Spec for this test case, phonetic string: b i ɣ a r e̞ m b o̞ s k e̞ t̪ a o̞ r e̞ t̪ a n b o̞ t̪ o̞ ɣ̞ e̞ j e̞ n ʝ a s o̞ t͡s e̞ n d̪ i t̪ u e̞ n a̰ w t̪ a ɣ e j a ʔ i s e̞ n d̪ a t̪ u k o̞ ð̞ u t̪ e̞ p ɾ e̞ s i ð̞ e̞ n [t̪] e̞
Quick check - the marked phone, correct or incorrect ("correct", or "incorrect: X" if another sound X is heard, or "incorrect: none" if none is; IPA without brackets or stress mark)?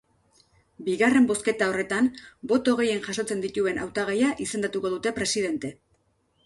correct